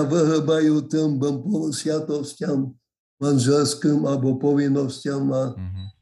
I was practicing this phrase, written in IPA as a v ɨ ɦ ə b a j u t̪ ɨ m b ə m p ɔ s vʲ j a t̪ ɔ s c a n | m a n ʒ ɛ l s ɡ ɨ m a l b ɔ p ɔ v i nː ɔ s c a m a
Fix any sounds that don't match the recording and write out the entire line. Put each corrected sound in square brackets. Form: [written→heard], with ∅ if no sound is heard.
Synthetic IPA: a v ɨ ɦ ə b a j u t̪ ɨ m b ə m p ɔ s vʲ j a t̪ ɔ s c a [n→m] | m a n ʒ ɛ l s [ɡ→k] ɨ m a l b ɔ p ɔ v i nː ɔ s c a m a